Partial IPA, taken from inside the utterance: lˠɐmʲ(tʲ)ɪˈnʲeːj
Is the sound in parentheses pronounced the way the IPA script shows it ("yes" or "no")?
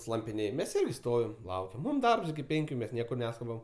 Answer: no